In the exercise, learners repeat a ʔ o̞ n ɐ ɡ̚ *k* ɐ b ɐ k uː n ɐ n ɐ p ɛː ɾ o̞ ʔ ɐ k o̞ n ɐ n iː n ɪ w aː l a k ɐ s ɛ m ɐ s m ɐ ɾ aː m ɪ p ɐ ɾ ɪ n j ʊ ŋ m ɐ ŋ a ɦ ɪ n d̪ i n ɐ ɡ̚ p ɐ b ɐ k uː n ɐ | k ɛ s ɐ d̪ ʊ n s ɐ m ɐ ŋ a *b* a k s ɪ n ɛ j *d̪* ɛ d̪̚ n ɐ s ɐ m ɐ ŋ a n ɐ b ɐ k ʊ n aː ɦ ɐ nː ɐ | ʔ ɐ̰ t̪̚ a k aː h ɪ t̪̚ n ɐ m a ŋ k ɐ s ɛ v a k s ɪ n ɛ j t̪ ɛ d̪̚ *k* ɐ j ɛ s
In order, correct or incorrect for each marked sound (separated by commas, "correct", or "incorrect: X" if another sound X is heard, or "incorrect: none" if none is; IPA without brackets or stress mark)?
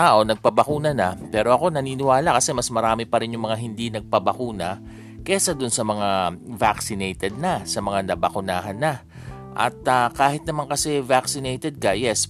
incorrect: p, incorrect: v, incorrect: t̪, correct